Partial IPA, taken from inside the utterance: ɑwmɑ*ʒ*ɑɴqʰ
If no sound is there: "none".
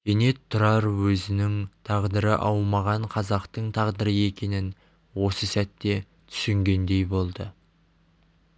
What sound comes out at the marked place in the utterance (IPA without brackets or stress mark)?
ʁ